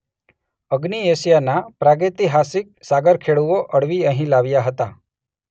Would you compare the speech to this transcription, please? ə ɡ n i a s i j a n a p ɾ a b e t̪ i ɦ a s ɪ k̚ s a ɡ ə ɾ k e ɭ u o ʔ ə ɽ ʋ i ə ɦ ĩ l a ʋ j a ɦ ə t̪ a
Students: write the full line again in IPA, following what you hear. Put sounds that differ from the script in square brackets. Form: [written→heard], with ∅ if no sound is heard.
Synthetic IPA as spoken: ə ɡ n i [a→e] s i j a n a p ɾ a [b→ɡ] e t̪ i ɦ a s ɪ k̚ s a ɡ ə ɾ [k→kʰ] e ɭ u o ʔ ə ɽ ʋ i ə ɦ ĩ l a ʋ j a ɦ ə t̪ a